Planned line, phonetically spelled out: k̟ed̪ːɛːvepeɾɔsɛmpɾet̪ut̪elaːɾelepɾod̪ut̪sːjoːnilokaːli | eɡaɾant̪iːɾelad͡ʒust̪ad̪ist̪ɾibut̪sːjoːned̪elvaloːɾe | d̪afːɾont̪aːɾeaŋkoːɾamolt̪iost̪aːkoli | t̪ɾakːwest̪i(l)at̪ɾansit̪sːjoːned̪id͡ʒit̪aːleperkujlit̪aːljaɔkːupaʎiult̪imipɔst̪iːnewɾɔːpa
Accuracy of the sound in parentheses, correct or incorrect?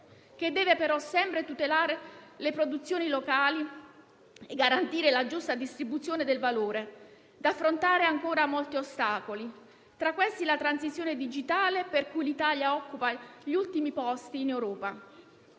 correct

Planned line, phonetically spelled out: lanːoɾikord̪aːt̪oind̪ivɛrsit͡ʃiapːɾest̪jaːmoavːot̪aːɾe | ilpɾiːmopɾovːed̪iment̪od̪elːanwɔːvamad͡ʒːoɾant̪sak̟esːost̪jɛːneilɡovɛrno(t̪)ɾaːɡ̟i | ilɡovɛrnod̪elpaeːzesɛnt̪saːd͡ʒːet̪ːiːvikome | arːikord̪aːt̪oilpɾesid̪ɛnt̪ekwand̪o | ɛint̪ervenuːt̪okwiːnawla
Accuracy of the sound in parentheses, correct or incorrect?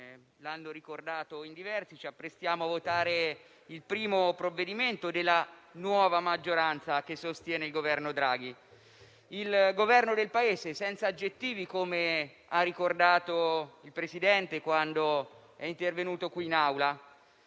incorrect: d̪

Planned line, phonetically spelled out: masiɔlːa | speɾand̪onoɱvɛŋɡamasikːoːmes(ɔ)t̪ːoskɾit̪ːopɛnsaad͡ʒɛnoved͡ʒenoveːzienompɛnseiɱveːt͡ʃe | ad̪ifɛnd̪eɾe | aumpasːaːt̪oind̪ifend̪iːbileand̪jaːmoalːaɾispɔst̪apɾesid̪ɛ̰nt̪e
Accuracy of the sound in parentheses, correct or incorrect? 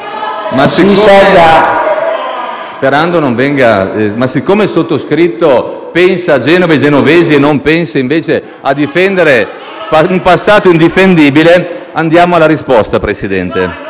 incorrect: o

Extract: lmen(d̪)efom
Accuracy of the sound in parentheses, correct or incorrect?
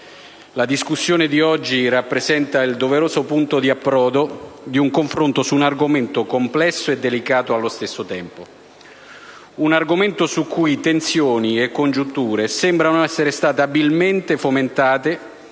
incorrect: t̪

